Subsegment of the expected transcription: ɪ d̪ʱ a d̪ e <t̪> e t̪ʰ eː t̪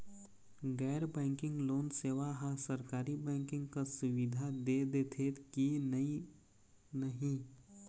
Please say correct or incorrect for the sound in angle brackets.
incorrect